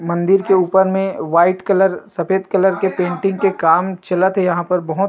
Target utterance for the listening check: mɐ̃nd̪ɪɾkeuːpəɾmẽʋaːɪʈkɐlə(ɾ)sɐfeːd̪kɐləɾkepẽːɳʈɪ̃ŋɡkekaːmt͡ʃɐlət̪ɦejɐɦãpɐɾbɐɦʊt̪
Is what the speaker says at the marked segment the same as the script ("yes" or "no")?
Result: yes